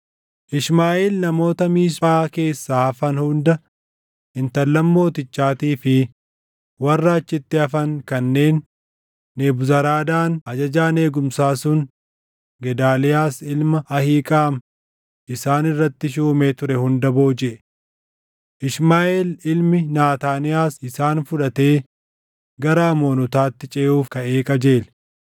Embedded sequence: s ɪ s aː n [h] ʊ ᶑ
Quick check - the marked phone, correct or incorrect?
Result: incorrect: f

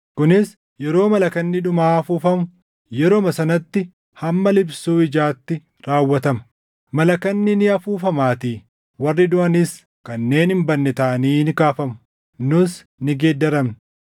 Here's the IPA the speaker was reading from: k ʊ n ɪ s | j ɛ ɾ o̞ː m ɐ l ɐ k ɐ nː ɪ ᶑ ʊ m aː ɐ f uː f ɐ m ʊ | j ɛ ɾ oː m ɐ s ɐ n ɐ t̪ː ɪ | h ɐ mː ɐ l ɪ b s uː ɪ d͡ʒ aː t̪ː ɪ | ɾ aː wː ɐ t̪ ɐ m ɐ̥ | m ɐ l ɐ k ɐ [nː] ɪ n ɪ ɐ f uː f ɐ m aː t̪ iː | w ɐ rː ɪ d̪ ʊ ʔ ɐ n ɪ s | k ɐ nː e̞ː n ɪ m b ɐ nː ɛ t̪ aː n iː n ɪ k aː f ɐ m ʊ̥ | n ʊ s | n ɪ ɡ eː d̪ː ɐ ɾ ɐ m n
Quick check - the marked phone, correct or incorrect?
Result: correct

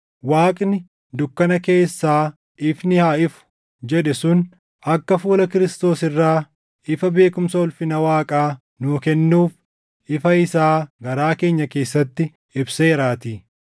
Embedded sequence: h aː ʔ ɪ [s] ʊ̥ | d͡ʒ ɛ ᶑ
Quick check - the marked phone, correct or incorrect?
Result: incorrect: f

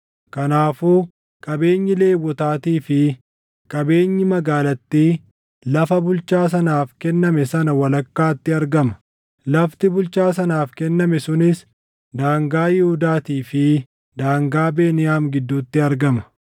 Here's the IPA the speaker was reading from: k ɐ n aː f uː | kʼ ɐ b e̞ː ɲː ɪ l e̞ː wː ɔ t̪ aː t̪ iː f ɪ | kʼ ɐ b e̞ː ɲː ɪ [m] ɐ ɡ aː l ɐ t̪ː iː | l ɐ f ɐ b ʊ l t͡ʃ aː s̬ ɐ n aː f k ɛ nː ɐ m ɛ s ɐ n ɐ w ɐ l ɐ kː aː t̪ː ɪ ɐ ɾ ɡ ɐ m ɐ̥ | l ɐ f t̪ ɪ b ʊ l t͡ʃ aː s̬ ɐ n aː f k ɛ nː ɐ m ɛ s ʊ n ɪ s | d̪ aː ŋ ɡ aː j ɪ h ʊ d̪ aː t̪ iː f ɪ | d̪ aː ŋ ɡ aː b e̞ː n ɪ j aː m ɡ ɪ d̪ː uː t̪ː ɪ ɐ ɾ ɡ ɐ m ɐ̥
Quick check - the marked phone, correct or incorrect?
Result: correct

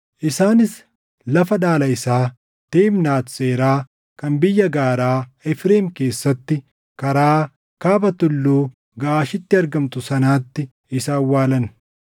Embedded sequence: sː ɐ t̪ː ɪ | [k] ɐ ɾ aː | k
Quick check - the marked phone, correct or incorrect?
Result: correct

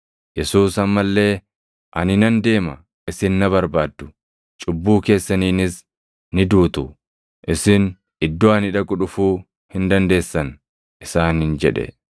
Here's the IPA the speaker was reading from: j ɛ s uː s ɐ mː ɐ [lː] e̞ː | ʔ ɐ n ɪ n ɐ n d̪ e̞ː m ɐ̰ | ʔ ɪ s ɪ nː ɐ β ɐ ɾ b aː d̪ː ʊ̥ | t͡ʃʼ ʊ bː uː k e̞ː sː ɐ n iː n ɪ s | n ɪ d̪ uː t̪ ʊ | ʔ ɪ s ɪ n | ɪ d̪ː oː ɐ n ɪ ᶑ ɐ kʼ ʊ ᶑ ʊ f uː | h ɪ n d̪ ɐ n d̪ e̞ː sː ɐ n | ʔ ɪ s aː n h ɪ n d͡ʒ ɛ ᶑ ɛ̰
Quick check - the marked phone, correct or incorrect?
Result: correct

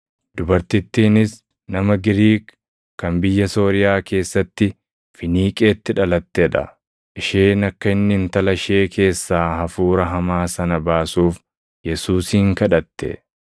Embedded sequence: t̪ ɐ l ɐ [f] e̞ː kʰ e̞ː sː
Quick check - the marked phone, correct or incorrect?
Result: incorrect: ʃ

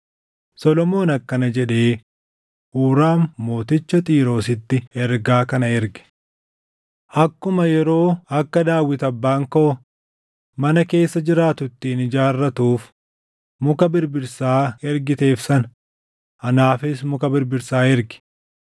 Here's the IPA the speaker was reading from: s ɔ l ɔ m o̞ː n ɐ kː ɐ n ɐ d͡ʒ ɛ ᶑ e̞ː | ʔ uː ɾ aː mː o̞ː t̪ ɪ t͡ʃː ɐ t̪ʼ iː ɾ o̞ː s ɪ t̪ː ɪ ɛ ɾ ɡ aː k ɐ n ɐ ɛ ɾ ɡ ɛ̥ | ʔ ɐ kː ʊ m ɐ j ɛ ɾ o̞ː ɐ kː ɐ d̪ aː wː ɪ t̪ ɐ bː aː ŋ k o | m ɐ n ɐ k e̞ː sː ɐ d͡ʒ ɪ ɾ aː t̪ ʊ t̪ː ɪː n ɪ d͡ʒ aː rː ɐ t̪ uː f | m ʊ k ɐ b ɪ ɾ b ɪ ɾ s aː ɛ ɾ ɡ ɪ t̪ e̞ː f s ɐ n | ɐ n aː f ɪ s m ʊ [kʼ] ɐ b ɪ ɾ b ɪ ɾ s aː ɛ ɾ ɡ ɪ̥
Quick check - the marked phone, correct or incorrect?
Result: incorrect: k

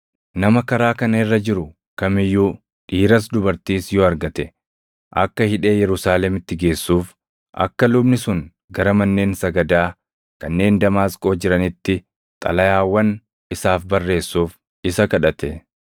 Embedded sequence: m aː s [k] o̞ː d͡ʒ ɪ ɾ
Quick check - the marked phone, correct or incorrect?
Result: incorrect: kʼ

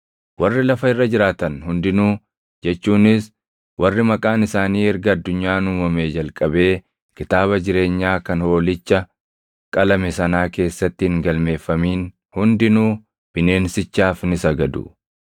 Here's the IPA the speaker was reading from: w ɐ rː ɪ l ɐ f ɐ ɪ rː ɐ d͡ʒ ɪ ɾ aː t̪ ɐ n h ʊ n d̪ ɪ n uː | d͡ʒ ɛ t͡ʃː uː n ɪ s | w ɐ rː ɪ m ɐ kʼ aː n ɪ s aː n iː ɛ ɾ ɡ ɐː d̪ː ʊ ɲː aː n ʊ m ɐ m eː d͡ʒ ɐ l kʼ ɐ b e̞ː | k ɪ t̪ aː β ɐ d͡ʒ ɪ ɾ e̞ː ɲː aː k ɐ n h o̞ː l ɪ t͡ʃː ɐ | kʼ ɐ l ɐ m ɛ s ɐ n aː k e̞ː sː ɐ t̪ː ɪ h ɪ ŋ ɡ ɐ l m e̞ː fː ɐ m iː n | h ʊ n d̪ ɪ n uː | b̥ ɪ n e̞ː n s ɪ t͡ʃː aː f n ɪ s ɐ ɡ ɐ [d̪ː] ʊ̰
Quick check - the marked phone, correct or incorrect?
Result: incorrect: d̪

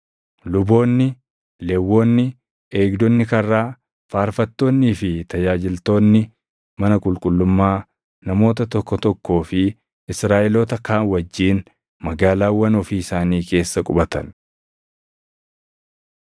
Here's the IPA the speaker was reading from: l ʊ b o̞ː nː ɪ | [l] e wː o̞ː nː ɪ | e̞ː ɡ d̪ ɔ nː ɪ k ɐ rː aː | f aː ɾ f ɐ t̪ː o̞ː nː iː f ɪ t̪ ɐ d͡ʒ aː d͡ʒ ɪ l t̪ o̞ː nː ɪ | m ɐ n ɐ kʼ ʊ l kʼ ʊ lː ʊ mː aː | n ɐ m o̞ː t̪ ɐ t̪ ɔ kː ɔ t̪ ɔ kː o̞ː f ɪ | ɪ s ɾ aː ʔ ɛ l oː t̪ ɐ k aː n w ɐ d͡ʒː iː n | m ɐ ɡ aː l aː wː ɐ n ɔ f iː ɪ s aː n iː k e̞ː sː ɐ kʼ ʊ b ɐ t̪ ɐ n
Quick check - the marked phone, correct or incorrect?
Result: correct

